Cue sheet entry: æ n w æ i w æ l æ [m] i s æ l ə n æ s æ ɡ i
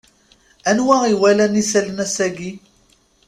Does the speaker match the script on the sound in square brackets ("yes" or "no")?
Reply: no